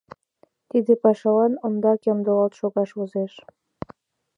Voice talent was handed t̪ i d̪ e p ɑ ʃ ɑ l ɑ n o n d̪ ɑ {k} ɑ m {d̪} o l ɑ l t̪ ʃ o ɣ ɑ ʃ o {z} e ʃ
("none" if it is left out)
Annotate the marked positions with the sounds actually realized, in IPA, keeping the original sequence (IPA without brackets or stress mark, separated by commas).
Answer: k, d̪, z